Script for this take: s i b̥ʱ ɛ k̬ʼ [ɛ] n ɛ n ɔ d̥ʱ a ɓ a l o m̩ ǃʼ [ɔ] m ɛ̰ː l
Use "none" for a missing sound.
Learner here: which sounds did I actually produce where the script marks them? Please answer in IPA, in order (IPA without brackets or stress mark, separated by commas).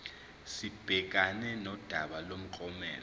a, ɔ